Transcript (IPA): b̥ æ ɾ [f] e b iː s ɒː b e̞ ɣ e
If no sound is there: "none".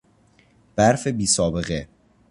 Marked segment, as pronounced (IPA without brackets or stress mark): f